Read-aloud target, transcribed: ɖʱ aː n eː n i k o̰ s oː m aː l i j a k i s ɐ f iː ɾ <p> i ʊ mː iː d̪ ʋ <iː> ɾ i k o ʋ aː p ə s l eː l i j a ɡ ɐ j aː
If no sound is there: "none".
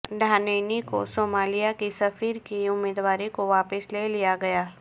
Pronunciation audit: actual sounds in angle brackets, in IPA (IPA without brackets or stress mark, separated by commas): k, aː